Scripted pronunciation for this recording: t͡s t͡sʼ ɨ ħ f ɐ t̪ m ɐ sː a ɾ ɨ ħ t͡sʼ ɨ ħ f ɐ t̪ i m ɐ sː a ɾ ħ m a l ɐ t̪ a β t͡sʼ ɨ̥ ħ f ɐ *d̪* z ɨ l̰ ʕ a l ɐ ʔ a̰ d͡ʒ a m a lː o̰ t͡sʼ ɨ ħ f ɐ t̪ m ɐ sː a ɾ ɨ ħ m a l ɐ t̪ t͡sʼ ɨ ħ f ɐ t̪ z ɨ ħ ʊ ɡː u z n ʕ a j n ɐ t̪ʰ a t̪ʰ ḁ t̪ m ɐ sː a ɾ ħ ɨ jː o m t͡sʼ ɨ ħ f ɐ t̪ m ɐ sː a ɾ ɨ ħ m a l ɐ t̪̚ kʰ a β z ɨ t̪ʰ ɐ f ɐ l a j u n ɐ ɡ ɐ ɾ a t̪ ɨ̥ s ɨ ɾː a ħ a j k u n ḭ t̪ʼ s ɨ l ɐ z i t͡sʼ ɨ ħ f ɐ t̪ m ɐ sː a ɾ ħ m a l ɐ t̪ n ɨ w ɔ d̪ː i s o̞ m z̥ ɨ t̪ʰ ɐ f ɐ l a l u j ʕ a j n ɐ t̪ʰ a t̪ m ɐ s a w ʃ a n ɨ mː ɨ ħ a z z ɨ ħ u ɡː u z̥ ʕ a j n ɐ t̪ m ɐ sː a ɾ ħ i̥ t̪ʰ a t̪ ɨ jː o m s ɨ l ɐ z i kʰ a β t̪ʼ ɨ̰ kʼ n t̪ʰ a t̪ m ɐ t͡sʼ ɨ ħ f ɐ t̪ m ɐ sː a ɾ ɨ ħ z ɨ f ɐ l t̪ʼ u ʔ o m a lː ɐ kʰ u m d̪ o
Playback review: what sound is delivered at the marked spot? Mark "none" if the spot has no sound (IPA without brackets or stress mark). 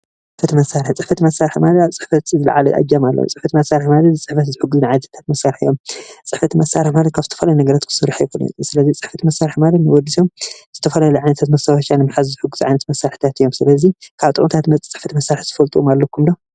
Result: t̪